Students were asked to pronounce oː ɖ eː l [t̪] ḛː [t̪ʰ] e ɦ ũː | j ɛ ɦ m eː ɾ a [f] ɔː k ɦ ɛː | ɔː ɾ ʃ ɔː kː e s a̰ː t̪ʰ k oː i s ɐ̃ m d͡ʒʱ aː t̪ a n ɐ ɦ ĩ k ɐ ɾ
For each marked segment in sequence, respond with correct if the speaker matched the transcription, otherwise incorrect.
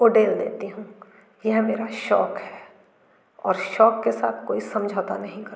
incorrect: d̪, incorrect: t̪, incorrect: ʃ

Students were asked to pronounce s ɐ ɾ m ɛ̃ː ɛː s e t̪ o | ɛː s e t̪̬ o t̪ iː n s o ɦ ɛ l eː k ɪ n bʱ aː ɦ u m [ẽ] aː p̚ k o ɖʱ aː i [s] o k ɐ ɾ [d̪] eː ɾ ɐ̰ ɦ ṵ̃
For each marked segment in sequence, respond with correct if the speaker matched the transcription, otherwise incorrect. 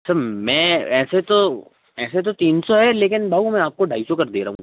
incorrect: ɛ̃, correct, correct

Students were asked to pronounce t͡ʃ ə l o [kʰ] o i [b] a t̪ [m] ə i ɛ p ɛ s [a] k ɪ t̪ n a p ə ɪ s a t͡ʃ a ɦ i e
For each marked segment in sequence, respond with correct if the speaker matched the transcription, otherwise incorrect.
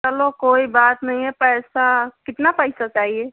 incorrect: k, correct, incorrect: n, correct

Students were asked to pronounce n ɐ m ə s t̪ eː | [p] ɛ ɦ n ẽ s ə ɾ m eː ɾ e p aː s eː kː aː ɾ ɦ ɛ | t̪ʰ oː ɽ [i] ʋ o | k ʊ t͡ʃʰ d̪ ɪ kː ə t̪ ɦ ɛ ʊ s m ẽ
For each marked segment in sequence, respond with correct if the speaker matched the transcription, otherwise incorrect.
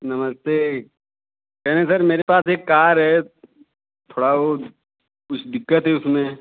incorrect: k, incorrect: a

